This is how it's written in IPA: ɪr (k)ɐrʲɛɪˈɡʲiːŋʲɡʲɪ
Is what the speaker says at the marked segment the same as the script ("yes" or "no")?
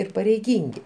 no